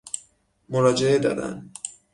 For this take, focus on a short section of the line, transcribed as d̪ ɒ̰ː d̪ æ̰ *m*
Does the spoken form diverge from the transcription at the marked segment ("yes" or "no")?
yes